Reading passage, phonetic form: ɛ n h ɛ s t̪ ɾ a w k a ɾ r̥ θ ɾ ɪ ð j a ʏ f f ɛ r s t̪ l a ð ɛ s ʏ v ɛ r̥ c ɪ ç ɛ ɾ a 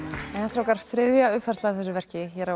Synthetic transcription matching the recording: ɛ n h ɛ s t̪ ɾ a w k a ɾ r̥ θ ɾ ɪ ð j a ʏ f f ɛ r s t̪ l a θ ɛ s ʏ v ɛ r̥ c ɪ ç ɛ ɾ a